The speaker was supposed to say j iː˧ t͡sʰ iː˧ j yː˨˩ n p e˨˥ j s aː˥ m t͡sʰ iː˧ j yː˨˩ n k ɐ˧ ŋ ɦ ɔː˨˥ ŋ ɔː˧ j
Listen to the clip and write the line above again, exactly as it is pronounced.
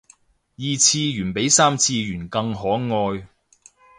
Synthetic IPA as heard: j iː˧ t͡sʰ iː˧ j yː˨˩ n p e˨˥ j s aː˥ m t͡sʰ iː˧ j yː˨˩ n k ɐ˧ ŋ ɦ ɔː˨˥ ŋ ɔː˧ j